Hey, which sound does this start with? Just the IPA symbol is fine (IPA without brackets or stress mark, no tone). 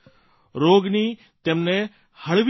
ɾ